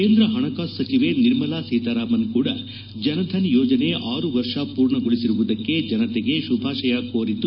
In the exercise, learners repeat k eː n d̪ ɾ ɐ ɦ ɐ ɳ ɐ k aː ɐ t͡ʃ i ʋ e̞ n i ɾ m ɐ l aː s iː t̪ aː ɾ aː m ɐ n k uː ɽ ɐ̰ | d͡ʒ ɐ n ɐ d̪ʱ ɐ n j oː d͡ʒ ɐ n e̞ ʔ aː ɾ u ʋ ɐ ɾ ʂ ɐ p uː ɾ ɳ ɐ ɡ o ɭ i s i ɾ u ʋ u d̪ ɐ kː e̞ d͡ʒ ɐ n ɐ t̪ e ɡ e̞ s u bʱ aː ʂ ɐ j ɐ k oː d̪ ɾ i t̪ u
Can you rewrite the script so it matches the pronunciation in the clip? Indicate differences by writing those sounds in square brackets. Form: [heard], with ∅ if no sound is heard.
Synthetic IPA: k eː n d̪ ɾ ɐ ɦ ɐ ɳ ɐ k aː ɐ t͡ʃ i ʋ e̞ n i ɾ m ɐ l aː s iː t̪ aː ɾ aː m ɐ n k uː ɽ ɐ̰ | d͡ʒ ɐ n ɐ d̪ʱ ɐ n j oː d͡ʒ ɐ n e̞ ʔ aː ɾ u ʋ ɐ ɾ ʂ ɐ p uː ɾ ɳ ɐ ɡ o ɭ i s i ɾ u ʋ u d̪ ɐ kː e̞ d͡ʒ ɐ n ɐ t̪ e ɡ e̞ [ʃ] u bʱ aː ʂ ɐ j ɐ k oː [∅] ɾ i t̪ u